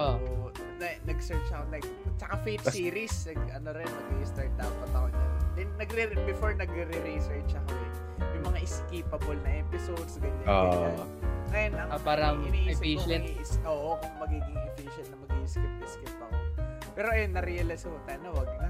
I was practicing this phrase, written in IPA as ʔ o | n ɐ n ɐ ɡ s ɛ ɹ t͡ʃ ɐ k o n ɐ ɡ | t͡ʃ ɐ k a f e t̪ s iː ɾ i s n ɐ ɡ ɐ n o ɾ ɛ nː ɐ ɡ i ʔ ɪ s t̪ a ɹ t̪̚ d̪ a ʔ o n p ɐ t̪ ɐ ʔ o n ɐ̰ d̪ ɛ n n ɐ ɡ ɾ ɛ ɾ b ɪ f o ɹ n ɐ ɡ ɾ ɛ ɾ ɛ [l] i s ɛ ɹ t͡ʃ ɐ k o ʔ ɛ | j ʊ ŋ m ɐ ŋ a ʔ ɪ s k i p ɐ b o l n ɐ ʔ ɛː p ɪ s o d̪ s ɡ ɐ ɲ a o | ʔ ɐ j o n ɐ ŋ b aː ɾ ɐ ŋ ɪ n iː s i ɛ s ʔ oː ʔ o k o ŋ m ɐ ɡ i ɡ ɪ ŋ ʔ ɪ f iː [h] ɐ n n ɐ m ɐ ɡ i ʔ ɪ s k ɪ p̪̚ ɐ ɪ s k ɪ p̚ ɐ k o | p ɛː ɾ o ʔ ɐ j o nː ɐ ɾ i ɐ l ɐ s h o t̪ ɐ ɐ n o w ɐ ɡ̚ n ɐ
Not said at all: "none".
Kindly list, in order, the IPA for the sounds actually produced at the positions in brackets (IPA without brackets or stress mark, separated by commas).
ɾ, ʃ